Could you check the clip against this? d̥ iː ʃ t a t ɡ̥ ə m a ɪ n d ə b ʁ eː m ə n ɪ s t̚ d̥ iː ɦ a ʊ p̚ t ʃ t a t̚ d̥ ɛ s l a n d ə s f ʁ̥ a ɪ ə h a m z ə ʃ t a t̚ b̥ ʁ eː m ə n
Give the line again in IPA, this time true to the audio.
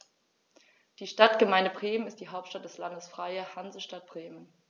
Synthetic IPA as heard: d̥ iː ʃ t a t ɡ̥ ə m a ɪ n d ə b ʁ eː m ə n ɪ s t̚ d̥ iː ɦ a ʊ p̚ t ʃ t a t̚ d̥ ɛ s l a n d ə s f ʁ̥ a ɪ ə h a n z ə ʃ t a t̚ b̥ ʁ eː m ə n